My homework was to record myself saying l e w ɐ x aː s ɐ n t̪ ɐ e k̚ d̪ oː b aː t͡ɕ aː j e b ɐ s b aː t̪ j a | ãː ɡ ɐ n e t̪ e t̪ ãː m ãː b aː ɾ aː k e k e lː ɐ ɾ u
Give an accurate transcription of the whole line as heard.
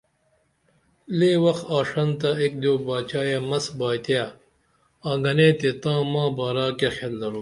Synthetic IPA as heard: l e w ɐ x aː ʂ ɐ n t̪ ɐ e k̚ d̪ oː b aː t͡ɕ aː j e m ɐ s b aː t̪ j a | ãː ɡ ɐ n e t̪ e t̪ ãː m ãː b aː ɾ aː k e x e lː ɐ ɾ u